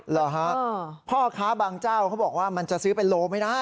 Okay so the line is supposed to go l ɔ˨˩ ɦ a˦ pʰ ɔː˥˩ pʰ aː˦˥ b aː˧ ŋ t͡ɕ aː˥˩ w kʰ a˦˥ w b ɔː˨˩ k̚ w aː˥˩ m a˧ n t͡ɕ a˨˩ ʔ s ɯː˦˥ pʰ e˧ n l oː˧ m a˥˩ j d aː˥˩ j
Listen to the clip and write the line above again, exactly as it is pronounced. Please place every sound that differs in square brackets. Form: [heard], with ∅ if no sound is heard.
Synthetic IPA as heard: l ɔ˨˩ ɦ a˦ pʰ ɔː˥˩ [kʰ] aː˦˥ b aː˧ ŋ t͡ɕ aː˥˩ w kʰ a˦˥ w b ɔː˨˩ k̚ w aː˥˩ m a˧ n t͡ɕ a˨˩ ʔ s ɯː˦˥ [p] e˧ n l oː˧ m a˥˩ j d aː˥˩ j